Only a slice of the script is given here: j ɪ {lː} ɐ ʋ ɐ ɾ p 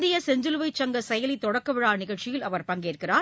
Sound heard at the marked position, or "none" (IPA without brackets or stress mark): l